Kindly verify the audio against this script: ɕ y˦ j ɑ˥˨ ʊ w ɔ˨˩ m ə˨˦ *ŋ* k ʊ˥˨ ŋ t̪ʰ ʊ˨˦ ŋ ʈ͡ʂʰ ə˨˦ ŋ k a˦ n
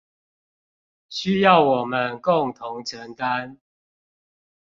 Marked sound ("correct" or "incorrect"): incorrect